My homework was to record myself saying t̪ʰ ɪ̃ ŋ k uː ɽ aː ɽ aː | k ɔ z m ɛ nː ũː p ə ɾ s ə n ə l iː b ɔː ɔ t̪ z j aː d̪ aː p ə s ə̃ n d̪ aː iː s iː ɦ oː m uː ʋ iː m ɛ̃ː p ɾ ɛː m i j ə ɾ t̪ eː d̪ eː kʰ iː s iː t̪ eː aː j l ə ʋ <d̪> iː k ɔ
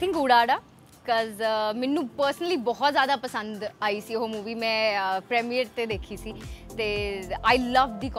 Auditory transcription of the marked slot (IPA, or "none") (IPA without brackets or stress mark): d̪